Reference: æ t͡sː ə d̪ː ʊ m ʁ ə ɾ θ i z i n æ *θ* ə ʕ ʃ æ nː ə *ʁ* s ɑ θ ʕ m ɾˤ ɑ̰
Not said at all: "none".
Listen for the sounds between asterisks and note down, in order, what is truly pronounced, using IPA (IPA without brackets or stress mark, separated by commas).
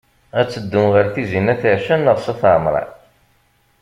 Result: θ, ʁ